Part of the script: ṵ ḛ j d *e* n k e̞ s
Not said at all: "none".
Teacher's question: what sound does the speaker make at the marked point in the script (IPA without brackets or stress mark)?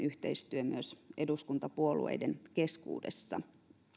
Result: e